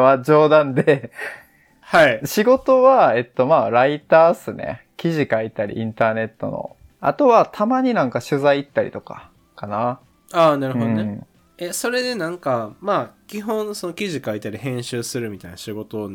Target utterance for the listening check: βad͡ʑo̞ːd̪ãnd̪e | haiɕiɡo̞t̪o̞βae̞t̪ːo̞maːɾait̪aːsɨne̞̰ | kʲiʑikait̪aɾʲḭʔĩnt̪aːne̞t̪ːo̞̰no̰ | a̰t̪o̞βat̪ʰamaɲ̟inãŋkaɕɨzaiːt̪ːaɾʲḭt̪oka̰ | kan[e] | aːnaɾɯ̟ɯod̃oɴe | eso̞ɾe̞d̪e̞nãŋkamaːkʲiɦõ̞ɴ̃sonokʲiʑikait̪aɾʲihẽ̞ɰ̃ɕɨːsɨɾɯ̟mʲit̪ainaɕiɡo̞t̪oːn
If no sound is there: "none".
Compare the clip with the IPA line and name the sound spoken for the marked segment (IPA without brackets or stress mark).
a